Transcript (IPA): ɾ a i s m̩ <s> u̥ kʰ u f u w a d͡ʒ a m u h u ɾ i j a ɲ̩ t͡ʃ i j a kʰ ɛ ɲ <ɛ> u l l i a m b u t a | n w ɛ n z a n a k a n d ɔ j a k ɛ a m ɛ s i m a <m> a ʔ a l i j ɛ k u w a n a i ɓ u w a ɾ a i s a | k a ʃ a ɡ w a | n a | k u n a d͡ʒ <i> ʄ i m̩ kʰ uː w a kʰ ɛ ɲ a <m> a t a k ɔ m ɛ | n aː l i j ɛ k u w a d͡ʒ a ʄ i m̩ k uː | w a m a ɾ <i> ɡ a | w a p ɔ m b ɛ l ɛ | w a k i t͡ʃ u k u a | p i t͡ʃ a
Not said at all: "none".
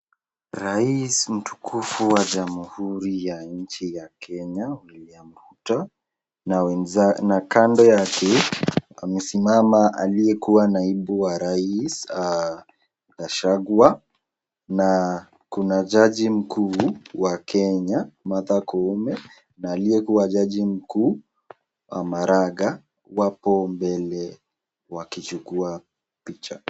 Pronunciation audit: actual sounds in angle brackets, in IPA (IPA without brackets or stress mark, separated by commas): t, a, m, a, m, a